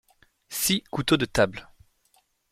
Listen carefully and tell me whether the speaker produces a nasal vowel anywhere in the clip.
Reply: no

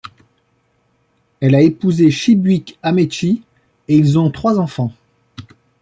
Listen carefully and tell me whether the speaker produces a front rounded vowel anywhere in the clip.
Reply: no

